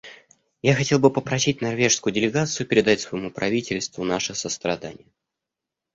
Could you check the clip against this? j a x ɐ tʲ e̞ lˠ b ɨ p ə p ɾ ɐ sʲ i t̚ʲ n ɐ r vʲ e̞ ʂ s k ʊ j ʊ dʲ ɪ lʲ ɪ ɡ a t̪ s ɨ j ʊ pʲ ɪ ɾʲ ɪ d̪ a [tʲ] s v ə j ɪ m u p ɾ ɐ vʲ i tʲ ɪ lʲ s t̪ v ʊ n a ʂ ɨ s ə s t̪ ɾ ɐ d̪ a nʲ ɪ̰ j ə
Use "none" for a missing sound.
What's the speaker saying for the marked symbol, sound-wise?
tʲ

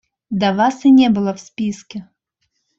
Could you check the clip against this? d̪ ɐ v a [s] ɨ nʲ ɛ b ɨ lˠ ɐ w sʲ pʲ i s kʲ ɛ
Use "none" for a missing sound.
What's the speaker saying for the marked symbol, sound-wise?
s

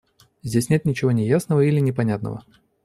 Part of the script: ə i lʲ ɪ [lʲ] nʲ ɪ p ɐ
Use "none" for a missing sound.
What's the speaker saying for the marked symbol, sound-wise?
none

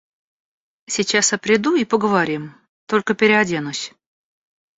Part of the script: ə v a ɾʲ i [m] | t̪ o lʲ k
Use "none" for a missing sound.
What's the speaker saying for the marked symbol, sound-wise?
m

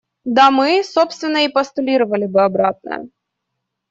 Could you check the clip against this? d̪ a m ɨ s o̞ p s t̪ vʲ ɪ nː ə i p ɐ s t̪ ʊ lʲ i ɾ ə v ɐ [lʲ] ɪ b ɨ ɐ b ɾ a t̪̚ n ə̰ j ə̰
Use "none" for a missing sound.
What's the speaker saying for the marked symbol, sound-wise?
lʲ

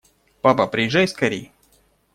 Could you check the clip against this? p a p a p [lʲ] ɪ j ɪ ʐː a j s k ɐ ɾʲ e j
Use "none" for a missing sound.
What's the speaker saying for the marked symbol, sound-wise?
ɾʲ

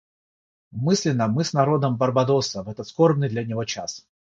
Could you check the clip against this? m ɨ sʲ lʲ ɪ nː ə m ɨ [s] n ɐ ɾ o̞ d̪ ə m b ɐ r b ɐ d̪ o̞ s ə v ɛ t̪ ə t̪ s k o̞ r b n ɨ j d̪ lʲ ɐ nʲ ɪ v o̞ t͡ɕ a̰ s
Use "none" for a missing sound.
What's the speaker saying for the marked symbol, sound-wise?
s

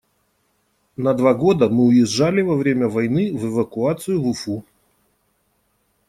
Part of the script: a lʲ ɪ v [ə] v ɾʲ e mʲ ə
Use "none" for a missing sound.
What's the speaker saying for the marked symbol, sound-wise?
ɐ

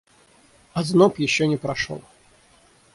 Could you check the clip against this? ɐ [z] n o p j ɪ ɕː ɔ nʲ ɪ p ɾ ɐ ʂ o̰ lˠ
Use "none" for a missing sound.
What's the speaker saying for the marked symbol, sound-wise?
z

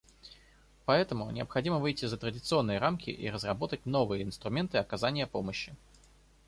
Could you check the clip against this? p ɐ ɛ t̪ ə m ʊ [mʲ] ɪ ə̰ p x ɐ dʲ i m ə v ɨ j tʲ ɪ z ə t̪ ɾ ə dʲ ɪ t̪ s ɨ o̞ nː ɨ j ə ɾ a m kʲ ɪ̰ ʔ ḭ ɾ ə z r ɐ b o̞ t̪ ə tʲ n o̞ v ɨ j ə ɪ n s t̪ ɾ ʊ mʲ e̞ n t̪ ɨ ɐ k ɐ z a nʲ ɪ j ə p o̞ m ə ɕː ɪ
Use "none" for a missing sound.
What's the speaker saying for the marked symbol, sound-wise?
nʲ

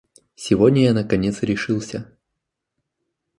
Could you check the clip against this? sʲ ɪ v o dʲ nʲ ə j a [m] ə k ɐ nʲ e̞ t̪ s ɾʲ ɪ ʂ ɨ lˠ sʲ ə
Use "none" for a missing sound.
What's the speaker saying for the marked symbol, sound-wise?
n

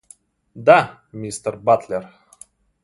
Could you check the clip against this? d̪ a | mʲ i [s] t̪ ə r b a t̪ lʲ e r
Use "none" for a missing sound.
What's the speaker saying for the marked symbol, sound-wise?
s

